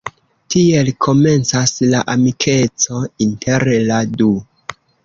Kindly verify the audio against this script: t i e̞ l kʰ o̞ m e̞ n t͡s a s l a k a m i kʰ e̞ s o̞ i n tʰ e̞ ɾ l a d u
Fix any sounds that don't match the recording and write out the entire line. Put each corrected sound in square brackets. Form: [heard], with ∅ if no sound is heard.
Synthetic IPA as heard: t i e̞ l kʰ o̞ m e̞ n t͡s a s l a [ʔ] a m i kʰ e̞ [t͡s] o̞ i n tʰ e̞ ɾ l a d u